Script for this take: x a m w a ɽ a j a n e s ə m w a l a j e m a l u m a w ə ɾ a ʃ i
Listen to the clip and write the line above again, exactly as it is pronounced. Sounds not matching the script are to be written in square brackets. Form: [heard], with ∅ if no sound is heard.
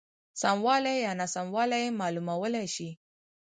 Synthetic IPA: [s] a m w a [l] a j a n [a] s [a] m w a l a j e m a l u m a w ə [l] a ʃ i